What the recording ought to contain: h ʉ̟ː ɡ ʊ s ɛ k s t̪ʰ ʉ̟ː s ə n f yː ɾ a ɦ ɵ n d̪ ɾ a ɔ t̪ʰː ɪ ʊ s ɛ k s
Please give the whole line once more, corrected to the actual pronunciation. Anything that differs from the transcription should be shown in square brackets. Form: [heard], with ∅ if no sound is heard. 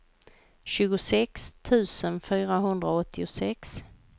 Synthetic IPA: [ɕ] ʉ̟ː ɡ ʊ s ɛ k s t̪ʰ ʉ̟ː s ə n f yː ɾ a ɦ ɵ n d̪ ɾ a ɔ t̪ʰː ɪ ʊ s ɛ k s

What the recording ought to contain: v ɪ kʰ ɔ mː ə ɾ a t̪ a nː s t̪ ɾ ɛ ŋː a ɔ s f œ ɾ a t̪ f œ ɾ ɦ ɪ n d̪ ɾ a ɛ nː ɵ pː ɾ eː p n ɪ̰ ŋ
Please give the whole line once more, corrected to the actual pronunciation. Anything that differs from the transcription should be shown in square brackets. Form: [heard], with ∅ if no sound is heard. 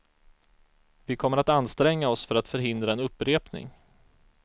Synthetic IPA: v ɪ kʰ ɔ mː ə ɾ a t̪ a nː s t̪ ɾ ɛ ŋː a ɔ s f œ ɾ a t̪ f œ ɾ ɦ ɪ n d̪ ɾ a ɛ [n] ɵ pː ɾ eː p n ɪ̰ ŋ

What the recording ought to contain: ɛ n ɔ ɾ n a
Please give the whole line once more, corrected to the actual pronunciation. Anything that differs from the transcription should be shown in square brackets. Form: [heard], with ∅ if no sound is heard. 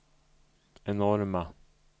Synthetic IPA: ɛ n ɔ ɾ [m] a

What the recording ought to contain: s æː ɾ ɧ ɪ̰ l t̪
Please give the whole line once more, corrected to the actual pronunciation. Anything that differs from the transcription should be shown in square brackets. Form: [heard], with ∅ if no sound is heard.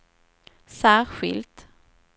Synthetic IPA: s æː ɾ ɧ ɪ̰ l t̪

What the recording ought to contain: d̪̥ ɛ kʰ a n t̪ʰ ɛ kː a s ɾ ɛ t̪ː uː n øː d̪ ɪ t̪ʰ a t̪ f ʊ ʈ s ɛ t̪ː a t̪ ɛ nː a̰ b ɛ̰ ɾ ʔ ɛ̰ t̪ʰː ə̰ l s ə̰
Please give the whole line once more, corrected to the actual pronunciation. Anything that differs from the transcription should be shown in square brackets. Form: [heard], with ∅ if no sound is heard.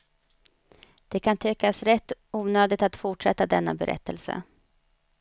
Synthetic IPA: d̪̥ ɛ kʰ a n t̪ʰ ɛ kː a s ɾ ɛ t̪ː uː n øː d̪ ɪ [t̪] a t̪ f ʊ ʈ [ʂ] ɛ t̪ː a [d̪] ɛ nː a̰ b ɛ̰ ɾ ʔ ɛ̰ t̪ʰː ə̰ l s ə̰

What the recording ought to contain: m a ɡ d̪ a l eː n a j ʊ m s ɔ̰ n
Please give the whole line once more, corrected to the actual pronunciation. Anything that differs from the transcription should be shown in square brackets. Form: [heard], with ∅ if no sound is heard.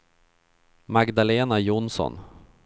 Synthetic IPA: m a ɡ d̪ a l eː n a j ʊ [n] s ɔ̰ n

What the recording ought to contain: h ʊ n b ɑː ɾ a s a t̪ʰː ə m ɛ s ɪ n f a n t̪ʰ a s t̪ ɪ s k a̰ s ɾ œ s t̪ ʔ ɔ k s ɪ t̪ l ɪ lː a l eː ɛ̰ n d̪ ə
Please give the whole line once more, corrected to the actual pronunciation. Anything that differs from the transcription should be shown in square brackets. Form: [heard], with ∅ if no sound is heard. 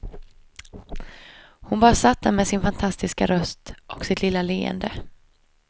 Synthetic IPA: h ʊ n b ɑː ɾ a s a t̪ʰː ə m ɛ s ɪ n f a n t̪ʰ a s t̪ ɪ s k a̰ [∅] ɾ œ s t̪ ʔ ɔ k s ɪ t̪ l ɪ lː a l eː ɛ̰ n d̪ ə

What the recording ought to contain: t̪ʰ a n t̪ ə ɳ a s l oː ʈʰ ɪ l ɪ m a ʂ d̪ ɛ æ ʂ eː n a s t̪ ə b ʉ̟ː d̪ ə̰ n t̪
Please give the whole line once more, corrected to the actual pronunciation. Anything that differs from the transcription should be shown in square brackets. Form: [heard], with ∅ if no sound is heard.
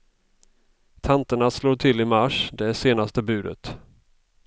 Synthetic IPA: t̪ʰ a n t̪ ə ɳ a s l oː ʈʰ ɪ l ɪ m a ʂ d̪ ɛ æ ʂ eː n a s t̪ ə b ʉ̟ː d̪ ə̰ [∅] t̪

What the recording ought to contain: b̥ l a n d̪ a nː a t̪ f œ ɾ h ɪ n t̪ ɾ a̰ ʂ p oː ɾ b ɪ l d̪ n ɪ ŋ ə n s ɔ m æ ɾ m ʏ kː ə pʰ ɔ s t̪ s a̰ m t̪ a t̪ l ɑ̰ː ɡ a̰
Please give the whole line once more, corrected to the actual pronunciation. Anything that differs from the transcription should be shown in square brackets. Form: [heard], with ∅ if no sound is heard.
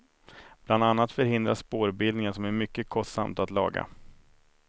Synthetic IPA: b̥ l a n d̪ a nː a t̪ f œ ɾ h ɪ n [d̪] ɾ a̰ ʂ p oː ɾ b ɪ l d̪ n ɪ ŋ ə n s ɔ m æ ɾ m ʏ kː ə [kʰ] ɔ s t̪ s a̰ m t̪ a t̪ l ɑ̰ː ɡ a̰

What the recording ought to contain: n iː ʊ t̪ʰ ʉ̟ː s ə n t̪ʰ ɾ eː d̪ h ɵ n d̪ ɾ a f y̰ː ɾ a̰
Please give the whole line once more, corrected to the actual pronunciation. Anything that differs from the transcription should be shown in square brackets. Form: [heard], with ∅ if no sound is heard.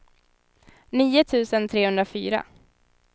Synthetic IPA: n iː ʊ t̪ʰ ʉ̟ː s ə n t̪ʰ ɾ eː [∅] h ɵ n d̪ ɾ a f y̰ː ɾ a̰

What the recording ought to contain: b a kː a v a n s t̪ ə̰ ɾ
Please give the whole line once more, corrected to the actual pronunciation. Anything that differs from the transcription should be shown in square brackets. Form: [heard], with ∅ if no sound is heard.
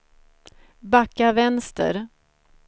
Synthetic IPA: b a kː a v [ɛ] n s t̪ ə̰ ɾ

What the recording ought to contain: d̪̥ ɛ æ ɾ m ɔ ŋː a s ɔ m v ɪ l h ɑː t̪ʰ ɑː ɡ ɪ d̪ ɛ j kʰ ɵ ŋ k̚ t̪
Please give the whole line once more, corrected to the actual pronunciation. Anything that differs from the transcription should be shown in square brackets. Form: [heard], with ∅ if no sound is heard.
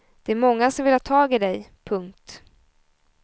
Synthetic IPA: d̪̥ ɛ æ ɾ m ɔ ŋː a s ɔ m v ɪ l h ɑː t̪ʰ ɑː ɡ ɪ d̪ ɛ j [pʰ] ɵ ŋ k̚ t̪

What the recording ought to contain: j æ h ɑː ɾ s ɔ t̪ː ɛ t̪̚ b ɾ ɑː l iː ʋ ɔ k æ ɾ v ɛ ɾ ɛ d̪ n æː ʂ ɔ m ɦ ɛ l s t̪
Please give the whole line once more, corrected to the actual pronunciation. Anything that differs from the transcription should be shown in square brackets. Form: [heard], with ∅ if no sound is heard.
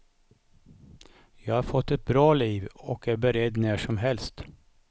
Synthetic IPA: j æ h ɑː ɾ [f] ɔ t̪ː ɛ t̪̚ b ɾ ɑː l iː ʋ ɔ k æ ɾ [b] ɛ ɾ ɛ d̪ n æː ʂ ɔ m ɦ ɛ l s t̪

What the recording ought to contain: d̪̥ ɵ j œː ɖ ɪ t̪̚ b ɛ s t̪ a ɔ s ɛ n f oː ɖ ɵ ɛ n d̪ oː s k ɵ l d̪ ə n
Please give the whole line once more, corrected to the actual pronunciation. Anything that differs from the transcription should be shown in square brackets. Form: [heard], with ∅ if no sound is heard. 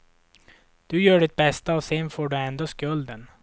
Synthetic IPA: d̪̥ ɵ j œː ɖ ɪ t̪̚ b ɛ s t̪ a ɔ s ɛ n f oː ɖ ɵ ɛ n d̪ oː s k ɵ l d̪ ə n

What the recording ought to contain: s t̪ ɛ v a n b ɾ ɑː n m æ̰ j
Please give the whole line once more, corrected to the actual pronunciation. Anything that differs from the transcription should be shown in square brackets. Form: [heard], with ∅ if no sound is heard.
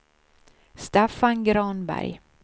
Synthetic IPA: s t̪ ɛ [f] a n [ɡ] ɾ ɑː n [b] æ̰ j

